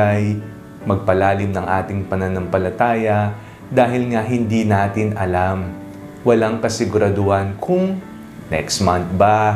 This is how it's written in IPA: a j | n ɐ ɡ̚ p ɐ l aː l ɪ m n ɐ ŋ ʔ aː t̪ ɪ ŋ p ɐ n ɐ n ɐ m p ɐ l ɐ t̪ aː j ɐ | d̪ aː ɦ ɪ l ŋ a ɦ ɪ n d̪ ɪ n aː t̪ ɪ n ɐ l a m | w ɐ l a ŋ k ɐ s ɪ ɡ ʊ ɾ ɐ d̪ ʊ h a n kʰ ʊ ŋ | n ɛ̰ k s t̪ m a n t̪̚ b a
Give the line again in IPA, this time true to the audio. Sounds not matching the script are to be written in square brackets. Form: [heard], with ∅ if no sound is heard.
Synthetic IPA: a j | [m] ɐ ɡ̚ p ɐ l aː l ɪ m n ɐ ŋ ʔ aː t̪ ɪ ŋ p ɐ n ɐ n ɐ m p ɐ l ɐ t̪ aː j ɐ | d̪ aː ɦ ɪ l ŋ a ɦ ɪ n d̪ [i] n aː t̪ ɪ n ɐ l a m | w ɐ l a ŋ k ɐ s ɪ ɡ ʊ ɾ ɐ d̪ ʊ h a n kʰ ʊ ŋ | n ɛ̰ k s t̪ m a n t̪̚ b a